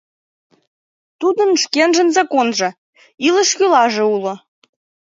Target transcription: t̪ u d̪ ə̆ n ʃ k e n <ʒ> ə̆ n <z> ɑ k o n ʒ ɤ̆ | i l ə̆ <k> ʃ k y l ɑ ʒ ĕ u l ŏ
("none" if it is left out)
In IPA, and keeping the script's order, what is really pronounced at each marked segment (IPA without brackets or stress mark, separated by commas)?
ʒ, z, none